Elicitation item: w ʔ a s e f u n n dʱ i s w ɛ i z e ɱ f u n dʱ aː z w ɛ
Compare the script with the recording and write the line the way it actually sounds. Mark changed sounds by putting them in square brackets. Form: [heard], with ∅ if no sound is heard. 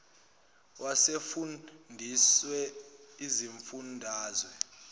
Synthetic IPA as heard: w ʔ a s e f u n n dʱ i s w ɛ i z [i] ɱ f u n dʱ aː z w ɛ